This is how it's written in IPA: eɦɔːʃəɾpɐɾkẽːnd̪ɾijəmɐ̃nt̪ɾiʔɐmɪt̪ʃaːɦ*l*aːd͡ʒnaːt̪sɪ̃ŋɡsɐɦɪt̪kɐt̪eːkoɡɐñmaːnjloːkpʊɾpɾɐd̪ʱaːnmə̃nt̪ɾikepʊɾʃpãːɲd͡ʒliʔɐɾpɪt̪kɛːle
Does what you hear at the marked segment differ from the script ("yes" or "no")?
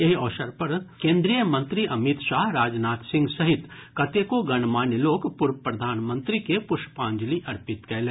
yes